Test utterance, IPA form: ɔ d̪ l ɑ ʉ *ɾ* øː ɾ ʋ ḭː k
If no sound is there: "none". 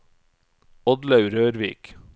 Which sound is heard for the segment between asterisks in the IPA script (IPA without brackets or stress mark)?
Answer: ɾ